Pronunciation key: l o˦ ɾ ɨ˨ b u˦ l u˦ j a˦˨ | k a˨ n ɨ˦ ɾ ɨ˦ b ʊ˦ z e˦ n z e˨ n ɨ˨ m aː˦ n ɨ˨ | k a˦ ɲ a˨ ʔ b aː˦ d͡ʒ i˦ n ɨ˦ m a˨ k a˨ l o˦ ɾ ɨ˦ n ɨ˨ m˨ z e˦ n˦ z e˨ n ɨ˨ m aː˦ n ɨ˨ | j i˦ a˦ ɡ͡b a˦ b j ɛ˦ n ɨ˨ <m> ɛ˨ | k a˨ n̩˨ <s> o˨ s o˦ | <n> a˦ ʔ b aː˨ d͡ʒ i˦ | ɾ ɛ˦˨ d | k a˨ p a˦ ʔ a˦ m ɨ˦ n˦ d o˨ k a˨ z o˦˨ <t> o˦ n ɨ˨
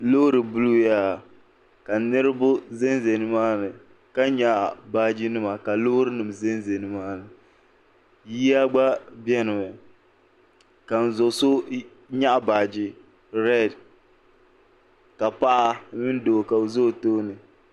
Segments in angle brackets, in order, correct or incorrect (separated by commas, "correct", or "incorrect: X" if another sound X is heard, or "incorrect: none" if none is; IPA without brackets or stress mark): correct, incorrect: z, incorrect: ɲ, correct